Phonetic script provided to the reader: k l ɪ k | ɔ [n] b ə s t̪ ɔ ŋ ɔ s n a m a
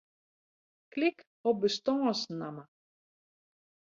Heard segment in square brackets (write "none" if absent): none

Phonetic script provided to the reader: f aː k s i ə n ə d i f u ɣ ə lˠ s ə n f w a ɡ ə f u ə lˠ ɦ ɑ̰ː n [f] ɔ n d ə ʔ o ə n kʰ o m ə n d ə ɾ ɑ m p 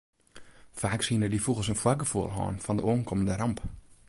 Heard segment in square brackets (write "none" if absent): f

